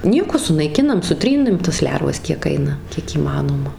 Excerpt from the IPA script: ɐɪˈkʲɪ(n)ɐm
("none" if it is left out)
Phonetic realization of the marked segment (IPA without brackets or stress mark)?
n